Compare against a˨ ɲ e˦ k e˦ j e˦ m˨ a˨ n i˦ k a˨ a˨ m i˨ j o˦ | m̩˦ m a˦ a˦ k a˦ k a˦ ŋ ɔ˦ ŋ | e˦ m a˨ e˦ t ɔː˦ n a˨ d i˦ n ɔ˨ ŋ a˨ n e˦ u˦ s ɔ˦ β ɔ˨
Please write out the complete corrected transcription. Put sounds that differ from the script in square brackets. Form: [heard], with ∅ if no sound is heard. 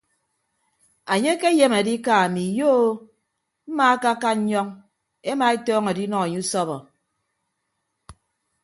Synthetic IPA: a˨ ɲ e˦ k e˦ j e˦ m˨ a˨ [d] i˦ k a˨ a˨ m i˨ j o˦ | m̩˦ m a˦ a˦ k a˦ k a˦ [ɲ] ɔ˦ ŋ | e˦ m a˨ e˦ t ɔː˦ [ŋ] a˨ d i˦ n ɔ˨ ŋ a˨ [ɲ] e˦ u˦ s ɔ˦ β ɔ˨